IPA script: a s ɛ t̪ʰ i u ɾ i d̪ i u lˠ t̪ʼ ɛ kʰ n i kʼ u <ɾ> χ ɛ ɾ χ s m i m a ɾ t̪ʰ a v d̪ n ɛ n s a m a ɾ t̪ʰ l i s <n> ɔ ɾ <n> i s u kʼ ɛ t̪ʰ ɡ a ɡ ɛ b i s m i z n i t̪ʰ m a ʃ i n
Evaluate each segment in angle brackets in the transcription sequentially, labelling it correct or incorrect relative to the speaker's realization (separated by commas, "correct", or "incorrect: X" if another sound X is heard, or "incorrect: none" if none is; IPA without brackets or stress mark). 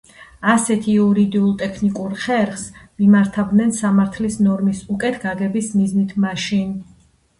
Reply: correct, correct, incorrect: m